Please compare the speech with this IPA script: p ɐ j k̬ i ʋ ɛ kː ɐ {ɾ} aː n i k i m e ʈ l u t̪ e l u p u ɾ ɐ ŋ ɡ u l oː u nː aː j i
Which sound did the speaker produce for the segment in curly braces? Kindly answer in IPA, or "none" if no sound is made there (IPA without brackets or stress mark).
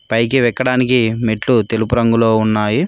ɽ